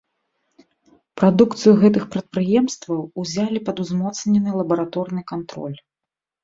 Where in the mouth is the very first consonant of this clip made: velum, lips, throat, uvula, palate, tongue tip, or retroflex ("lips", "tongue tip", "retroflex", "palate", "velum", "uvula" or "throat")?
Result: lips